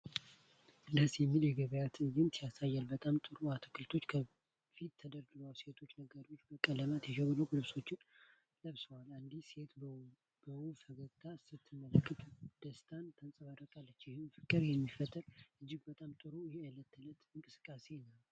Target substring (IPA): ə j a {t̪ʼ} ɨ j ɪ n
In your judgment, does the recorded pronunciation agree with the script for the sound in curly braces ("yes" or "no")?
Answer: no